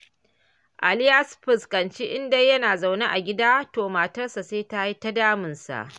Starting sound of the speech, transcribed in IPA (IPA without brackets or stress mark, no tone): ʔ